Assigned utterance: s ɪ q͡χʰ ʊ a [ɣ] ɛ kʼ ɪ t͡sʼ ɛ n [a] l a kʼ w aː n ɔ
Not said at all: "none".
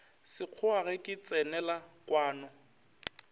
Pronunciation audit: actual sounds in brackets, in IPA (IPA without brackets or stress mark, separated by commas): ɣ, ɛ